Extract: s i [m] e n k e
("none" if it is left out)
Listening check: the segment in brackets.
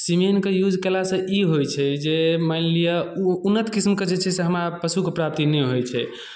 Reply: m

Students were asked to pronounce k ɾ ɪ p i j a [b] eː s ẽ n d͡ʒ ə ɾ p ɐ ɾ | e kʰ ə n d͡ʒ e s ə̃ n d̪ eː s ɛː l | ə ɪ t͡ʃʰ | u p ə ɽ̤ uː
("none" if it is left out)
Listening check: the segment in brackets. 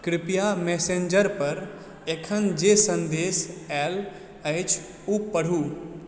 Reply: m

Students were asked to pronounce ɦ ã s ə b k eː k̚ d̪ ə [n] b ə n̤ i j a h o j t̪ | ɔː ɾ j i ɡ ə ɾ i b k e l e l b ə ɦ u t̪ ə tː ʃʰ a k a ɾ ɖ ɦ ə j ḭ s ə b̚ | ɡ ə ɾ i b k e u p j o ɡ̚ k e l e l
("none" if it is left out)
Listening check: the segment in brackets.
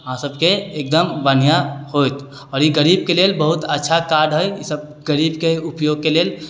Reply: m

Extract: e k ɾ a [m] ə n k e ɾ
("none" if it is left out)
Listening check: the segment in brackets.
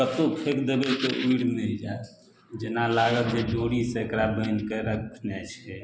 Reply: b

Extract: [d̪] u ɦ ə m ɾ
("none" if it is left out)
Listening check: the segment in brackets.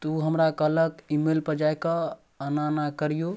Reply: t̪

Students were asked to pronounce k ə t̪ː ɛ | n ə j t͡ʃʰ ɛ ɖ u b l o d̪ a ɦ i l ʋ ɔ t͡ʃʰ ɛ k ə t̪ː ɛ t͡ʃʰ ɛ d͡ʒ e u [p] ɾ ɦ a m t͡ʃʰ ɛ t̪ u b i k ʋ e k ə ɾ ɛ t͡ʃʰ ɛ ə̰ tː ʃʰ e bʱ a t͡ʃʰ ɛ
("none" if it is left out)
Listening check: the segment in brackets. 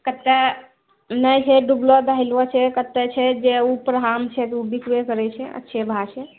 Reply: p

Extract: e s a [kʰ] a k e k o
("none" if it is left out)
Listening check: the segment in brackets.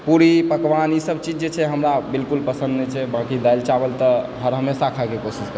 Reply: kʰ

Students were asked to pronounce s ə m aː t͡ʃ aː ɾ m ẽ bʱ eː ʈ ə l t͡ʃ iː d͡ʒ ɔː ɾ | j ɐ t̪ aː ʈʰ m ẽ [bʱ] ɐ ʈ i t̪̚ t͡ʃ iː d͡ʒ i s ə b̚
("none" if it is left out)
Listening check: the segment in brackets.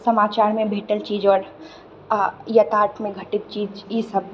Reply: ɡʱ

